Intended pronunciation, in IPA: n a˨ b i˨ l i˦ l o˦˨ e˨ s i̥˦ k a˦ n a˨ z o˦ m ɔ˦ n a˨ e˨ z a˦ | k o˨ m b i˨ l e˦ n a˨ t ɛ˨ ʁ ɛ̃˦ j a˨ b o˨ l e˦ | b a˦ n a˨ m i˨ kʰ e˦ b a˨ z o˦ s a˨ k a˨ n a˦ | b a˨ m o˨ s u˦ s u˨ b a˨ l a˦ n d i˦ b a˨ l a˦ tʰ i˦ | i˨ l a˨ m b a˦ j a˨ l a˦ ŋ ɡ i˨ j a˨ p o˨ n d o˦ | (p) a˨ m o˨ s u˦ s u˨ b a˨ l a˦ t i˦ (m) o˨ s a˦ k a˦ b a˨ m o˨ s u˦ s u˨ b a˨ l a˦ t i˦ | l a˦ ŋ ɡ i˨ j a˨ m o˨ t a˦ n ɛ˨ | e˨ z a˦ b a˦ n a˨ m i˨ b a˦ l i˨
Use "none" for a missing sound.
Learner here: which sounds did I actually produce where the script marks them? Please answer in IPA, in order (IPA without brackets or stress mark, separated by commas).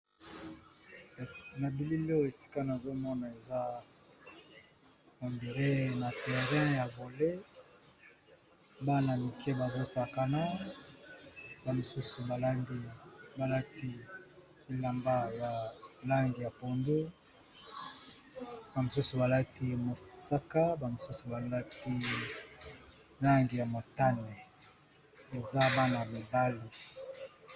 b, m